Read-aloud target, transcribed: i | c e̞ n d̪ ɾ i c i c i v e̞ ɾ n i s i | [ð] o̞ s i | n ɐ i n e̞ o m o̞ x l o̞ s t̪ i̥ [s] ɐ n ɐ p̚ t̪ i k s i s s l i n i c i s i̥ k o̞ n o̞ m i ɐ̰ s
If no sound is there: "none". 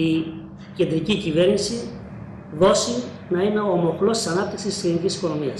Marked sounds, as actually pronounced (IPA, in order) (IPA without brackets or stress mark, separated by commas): ð, s